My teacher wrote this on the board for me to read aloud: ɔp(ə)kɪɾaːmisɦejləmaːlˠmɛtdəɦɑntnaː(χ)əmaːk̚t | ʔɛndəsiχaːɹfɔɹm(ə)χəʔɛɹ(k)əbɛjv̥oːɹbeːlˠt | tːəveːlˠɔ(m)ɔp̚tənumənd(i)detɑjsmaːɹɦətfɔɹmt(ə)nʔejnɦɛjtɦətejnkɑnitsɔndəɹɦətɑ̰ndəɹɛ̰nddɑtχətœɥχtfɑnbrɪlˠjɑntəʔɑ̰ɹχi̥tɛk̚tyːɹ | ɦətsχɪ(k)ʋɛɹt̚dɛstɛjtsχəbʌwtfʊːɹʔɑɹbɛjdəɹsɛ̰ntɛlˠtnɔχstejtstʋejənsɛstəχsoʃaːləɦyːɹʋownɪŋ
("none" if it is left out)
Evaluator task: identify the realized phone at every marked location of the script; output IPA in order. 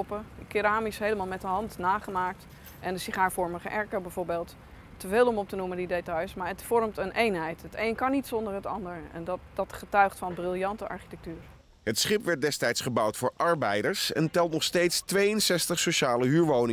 ə, χ, ə, k, m, i, ə, p

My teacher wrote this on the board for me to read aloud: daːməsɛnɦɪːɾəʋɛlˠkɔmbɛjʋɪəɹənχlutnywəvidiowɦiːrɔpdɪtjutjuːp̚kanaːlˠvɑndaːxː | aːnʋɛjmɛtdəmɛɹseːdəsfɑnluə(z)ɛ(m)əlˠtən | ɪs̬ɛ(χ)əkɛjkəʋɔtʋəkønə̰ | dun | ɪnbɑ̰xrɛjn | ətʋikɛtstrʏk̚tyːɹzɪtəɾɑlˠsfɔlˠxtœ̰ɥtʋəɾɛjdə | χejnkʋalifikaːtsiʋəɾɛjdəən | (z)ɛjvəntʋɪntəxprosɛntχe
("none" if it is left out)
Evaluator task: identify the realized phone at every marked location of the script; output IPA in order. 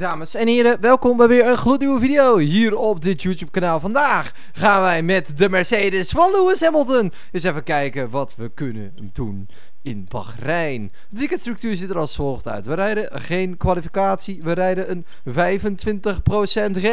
s, m, f, v

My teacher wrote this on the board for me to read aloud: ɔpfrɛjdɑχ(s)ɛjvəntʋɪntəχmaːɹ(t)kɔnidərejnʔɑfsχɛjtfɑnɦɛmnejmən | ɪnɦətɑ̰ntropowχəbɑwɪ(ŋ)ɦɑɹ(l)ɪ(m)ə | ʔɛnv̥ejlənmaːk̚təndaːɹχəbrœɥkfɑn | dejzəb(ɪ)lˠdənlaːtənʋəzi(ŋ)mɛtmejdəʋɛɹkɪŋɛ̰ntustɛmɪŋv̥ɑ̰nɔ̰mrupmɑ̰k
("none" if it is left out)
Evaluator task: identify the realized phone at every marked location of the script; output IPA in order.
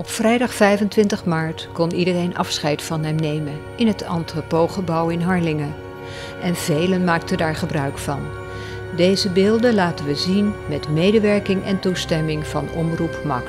f, t, n, l, ŋ, ɪː, n

